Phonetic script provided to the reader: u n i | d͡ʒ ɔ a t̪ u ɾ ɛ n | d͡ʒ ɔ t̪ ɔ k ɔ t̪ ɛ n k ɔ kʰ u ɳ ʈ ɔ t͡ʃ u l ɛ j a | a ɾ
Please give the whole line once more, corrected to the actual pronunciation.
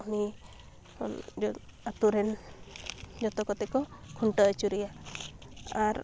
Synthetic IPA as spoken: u n i | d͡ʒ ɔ a t̪ u ɾ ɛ n | d͡ʒ ɔ t̪ ɔ k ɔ t̪ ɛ k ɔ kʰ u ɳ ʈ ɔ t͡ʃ u ɾ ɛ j a | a ɾ